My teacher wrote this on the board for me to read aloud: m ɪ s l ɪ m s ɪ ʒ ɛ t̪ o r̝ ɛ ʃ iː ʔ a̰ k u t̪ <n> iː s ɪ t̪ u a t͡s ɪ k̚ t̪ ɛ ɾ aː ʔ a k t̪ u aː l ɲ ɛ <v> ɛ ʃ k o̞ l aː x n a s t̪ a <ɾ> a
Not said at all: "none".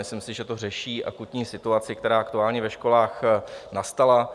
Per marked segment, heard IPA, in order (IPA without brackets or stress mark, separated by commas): ɲ, v, l